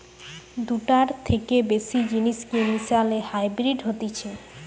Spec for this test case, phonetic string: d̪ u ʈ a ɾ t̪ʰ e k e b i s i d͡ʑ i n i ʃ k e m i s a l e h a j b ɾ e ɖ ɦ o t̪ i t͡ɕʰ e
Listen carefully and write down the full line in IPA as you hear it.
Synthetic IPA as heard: d̪ u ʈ a ɾ t̪ʰ e k e b e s i d͡ʑ i n i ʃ k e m i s a l e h a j b ɾ i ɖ ɦ o t̪ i t͡ɕʰ e